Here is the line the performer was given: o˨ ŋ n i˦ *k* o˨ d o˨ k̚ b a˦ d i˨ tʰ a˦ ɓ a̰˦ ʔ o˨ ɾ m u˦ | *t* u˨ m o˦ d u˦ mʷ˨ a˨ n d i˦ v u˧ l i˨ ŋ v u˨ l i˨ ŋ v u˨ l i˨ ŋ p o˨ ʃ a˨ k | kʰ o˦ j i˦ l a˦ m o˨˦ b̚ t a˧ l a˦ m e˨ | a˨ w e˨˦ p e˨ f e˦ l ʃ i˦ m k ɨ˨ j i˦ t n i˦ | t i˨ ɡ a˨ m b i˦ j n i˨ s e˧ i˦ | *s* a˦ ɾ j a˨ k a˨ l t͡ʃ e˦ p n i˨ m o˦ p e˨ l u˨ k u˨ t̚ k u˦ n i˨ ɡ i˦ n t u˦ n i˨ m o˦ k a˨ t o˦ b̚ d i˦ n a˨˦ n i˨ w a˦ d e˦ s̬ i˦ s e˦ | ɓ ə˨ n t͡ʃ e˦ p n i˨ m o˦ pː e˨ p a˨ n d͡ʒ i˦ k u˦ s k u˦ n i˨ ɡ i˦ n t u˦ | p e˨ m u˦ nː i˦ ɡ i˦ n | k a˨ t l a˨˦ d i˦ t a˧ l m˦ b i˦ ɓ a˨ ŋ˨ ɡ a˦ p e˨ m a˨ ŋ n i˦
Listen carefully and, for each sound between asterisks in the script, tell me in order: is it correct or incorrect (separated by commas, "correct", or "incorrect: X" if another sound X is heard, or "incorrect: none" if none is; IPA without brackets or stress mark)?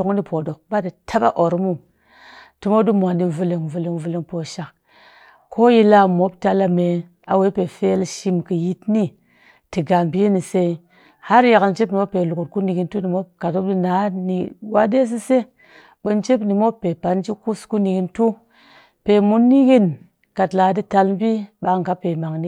incorrect: p, correct, incorrect: h